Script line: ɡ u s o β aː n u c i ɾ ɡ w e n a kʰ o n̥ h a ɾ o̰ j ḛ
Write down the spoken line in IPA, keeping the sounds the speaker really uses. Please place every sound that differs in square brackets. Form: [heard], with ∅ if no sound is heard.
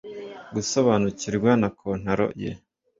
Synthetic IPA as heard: ɡ u s o β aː n u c i ɾ ɡ w [a] n a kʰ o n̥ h a ɾ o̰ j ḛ

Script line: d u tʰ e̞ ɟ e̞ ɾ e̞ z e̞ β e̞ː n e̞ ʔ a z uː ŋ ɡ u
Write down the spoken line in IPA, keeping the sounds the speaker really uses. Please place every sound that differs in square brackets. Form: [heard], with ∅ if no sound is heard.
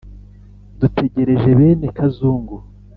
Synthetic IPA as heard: d u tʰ e̞ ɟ e̞ ɾ e̞ [ʒ] e̞ β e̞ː n e̞ [k] a z uː ŋ ɡ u

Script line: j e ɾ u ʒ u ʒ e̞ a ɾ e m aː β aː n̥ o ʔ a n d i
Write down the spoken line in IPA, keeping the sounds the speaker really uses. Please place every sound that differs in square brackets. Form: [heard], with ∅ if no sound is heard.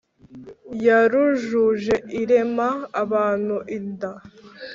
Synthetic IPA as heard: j [a] ɾ u ʒ u ʒ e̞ [i] ɾ e m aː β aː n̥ [u] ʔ [i] n d [a]

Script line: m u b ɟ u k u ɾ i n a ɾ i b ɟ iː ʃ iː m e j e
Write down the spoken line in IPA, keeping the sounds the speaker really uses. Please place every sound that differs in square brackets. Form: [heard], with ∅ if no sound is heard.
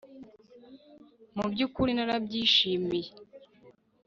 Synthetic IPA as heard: m u b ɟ u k u ɾ i n a ɾ [a] b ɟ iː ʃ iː m [i] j e

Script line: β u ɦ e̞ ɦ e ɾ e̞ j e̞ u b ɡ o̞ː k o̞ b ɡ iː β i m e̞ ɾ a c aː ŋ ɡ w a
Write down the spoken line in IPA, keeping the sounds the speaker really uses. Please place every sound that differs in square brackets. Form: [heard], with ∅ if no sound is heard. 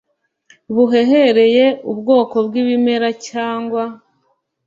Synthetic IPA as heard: β u ɦ e̞ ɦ e ɾ e̞ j e̞ u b ɡ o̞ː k o̞ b ɡ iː β i m e̞ ɾ a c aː ŋ ɡ w a

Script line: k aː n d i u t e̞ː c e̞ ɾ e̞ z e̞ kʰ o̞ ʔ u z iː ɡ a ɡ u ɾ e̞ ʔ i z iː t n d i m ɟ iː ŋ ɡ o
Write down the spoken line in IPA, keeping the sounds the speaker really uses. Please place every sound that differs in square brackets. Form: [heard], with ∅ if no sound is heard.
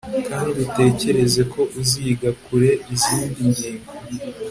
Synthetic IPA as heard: k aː n d i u t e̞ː c e̞ ɾ e̞ z e̞ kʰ o̞ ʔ u z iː ɡ a [k] u ɾ e̞ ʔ i z iː [∅] n d i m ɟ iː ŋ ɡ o

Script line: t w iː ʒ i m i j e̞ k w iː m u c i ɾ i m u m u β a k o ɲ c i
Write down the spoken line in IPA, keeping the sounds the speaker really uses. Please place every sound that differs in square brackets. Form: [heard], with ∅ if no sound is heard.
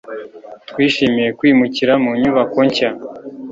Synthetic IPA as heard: t w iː [ʃ] i m i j e̞ k w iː m u c i ɾ [a] m u [ɲ] u β a k o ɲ c [a]

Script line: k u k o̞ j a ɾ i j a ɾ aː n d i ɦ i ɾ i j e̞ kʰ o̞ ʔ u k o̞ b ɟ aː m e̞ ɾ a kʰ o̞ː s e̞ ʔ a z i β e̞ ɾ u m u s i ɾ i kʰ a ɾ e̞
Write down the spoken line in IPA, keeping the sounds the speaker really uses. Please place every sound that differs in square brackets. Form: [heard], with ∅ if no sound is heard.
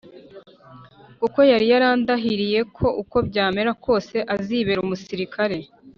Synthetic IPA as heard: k u k o̞ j a ɾ i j a ɾ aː n d [a] ɦ i ɾ i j e̞ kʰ o̞ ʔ u k o̞ b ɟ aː m e̞ ɾ a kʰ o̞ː s e̞ ʔ a z i β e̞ ɾ u m u s i ɾ i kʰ a ɾ e̞

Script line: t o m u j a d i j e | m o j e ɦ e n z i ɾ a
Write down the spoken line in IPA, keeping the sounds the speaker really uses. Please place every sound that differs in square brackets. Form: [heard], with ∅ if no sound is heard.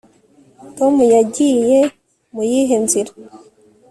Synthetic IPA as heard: t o m u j a [ɟ] i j e | m [u] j [i] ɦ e n z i ɾ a

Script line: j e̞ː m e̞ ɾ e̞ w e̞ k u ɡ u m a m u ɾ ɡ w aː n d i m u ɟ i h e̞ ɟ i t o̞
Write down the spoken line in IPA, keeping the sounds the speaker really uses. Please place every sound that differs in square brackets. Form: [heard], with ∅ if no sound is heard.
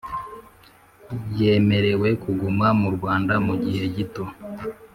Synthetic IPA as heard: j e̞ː m e̞ ɾ e̞ w e̞ k u ɡ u m a m u ɾ ɡ w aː n d [a] m u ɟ i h e̞ ɟ i t o̞

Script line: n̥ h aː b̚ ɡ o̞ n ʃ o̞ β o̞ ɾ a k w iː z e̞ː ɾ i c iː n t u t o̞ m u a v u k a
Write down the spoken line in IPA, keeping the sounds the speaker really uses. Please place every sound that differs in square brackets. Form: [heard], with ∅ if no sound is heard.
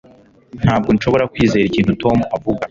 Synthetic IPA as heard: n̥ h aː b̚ ɡ o̞ n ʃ o̞ β o̞ ɾ a k w iː z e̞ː ɾ i c iː n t u t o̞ m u a v u [ɡ] a

